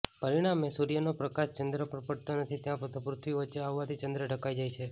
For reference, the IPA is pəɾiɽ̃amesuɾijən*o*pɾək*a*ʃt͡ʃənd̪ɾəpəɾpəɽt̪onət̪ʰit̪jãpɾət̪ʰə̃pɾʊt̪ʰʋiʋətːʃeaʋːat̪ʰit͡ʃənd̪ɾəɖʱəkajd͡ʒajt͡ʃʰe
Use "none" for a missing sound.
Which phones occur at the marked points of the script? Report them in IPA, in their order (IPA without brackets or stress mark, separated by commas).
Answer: o, a